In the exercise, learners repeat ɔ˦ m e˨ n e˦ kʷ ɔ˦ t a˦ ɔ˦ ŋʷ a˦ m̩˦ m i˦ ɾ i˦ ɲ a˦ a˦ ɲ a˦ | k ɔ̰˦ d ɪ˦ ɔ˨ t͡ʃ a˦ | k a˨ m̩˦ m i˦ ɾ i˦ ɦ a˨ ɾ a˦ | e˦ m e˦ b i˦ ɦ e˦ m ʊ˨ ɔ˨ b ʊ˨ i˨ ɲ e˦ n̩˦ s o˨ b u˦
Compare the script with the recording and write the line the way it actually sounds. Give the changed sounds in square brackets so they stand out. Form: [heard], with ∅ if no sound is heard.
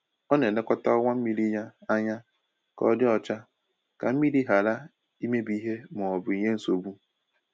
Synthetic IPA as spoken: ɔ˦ [n] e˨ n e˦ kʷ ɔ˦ t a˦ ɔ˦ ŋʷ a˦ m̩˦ m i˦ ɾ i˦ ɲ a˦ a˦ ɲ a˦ | k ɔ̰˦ d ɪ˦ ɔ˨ t͡ʃ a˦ | k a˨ m̩˦ m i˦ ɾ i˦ ɦ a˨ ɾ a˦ | [i˦] m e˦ b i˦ ɦ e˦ m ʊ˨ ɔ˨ b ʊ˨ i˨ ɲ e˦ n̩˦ s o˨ b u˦